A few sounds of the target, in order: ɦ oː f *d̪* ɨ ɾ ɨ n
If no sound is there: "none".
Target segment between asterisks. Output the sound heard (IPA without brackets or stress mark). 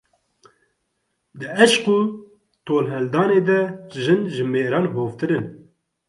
t̪